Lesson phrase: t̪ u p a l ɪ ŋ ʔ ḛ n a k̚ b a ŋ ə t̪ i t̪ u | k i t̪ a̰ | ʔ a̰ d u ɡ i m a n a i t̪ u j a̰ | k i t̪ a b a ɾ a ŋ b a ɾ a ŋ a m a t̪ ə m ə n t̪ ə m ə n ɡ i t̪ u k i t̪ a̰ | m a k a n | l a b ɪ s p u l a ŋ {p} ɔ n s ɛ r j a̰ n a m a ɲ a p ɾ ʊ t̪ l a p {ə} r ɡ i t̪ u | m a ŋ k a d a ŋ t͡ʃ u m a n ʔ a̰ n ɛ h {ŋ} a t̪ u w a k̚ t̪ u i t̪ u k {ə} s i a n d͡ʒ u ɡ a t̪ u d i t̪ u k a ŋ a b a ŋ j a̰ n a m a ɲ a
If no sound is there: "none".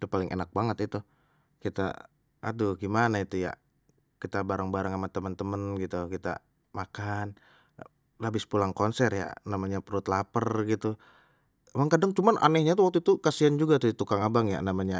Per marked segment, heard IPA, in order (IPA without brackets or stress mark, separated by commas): k, ə, ɲ, a